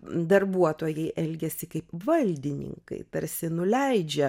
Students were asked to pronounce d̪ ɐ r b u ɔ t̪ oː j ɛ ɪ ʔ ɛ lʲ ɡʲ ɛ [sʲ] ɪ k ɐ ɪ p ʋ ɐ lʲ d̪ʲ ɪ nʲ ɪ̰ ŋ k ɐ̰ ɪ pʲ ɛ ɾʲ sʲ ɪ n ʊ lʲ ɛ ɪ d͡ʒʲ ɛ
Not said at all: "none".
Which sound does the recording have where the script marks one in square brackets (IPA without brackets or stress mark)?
sʲ